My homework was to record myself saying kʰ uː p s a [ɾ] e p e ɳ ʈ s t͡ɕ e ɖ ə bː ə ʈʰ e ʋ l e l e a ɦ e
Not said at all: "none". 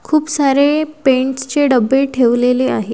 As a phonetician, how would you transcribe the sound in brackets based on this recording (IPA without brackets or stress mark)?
ɾ